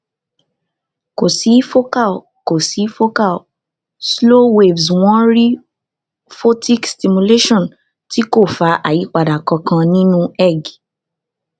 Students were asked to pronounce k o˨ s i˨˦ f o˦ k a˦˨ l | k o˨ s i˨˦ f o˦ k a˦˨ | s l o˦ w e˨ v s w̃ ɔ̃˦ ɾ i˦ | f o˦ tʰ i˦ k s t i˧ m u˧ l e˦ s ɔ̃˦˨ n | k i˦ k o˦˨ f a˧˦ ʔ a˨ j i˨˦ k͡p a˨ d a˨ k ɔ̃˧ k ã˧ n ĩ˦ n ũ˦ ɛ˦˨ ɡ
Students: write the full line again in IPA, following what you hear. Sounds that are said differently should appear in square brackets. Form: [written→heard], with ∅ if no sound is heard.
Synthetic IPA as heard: k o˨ s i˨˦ f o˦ k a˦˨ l | k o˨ s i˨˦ f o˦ k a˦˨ | s l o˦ w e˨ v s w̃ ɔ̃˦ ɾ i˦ | f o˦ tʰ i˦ k s t i˧ m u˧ l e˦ [s→ʃ] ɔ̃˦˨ n | [k→t] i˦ k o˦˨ f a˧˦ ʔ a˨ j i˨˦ k͡p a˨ d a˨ k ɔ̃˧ k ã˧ n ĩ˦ n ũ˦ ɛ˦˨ ɡ

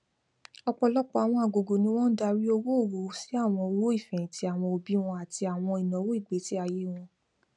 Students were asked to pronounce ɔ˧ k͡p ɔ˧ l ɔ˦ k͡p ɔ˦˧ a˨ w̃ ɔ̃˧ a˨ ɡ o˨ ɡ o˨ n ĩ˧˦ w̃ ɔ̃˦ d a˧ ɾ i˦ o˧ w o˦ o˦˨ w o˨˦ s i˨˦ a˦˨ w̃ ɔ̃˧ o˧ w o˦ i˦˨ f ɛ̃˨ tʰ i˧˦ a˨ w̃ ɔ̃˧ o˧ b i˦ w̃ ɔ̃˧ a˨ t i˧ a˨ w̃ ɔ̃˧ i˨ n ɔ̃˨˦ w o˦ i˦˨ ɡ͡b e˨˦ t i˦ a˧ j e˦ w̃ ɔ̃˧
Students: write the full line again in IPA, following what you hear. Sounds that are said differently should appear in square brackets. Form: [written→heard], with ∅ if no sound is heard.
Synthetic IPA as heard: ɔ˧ k͡p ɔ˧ l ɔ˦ k͡p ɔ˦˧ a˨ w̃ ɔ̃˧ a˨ ɡ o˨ ɡ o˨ n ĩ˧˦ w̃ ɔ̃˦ d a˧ ɾ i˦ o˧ w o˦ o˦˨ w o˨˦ s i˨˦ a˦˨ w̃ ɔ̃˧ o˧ w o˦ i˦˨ f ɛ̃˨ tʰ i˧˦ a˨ w̃ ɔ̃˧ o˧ b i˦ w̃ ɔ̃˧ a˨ t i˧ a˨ w̃ ɔ̃˧ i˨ n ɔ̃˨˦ w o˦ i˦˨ ɡ͡b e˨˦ t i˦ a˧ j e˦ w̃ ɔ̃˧

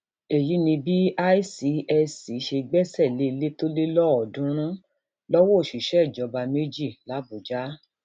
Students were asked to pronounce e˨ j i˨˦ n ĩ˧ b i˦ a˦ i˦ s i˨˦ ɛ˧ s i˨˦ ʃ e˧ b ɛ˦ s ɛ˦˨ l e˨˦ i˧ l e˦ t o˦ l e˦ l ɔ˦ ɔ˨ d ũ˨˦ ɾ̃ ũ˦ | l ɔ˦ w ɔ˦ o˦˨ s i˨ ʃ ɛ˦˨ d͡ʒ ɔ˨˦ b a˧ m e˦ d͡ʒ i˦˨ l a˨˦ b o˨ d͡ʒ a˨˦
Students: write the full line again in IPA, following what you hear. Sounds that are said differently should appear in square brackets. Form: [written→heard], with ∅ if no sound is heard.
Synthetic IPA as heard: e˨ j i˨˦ n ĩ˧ b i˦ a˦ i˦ s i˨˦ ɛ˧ s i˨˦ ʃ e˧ [b→ɡ͡b] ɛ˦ s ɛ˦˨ l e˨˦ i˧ l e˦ t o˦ l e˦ l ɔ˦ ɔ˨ d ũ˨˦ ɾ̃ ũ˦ | l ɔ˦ w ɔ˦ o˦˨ [s→ʃ] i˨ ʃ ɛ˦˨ d͡ʒ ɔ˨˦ b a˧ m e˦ d͡ʒ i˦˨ l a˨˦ b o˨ d͡ʒ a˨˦

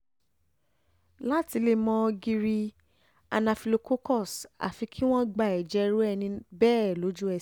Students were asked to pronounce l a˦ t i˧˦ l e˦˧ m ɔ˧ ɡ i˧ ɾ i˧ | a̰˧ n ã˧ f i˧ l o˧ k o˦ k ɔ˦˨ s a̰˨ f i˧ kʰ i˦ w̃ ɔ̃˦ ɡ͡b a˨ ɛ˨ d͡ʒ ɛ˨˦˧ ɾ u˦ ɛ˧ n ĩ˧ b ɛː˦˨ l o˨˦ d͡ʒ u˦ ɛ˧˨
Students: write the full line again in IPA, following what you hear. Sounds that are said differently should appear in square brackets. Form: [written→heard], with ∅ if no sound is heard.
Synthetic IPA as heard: l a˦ t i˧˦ l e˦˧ m [ɔ˧→ɔ̃˧] ɡ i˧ ɾ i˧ | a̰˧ n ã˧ f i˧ l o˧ k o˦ k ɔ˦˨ s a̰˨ f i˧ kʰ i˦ w̃ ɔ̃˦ ɡ͡b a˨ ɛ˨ d͡ʒ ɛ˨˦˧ ɾ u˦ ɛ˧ n ĩ˧ b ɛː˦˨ l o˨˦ d͡ʒ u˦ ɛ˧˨

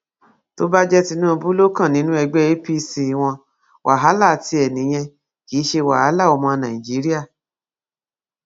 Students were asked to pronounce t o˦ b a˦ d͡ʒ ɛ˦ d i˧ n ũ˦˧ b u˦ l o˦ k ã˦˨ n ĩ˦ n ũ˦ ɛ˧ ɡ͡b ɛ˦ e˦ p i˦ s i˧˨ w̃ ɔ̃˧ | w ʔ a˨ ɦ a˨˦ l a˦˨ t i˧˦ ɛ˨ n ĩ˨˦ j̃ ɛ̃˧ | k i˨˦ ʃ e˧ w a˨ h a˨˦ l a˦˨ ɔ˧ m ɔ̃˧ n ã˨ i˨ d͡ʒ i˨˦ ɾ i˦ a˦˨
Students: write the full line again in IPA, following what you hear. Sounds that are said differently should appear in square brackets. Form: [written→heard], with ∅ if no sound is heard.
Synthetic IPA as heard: t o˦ b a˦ d͡ʒ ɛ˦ [d→t] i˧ n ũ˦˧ b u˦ l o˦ k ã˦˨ n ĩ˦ n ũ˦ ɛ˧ ɡ͡b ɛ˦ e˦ p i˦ s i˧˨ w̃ ɔ̃˧ | w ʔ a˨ ɦ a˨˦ l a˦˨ t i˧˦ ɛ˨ n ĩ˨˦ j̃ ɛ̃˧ | k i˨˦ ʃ e˧ w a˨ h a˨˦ l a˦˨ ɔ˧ m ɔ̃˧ n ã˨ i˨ d͡ʒ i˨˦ ɾ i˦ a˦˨

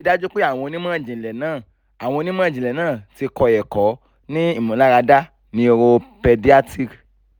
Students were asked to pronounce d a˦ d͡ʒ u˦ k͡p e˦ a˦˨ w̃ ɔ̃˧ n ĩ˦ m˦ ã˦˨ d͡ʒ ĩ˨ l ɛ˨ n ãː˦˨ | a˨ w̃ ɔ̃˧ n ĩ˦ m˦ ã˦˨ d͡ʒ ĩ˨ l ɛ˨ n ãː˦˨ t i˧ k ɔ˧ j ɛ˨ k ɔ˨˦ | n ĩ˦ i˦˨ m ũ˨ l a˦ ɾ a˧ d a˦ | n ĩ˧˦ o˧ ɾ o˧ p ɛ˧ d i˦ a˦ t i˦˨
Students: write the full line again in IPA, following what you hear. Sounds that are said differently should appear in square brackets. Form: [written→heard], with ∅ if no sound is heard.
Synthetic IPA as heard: d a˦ d͡ʒ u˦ k͡p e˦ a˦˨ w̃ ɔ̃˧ n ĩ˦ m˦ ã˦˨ d͡ʒ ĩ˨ l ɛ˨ n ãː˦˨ | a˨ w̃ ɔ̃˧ n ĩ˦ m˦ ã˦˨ d͡ʒ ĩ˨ l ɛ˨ n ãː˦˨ t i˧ k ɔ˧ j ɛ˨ k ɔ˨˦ | n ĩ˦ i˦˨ m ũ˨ l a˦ ɾ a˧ d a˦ | n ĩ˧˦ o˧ ɾ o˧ p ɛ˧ d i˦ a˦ t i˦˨

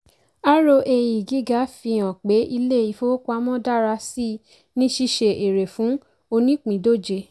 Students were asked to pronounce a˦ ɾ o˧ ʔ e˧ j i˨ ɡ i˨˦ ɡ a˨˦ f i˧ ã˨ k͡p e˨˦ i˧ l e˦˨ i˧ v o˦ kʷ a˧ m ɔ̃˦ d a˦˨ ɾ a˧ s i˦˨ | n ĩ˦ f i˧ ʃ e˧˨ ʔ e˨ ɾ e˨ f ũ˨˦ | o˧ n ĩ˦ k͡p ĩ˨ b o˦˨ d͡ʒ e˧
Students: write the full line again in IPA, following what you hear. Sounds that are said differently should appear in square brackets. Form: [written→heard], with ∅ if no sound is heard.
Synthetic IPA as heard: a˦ ɾ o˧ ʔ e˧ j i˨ ɡ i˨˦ ɡ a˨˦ f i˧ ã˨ k͡p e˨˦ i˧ l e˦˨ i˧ [v→f] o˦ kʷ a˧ m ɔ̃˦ d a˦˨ ɾ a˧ s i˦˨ | n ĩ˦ [f→ʃ] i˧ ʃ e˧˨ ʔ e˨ ɾ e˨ f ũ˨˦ | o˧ n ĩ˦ k͡p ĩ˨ [b→d] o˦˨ d͡ʒ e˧

